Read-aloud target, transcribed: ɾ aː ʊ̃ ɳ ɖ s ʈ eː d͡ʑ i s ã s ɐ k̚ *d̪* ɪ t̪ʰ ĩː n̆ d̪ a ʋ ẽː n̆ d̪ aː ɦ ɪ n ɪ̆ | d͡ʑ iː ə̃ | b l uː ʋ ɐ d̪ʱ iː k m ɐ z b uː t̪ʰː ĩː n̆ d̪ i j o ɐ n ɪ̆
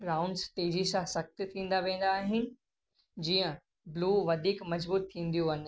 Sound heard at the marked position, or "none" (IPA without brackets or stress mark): t̪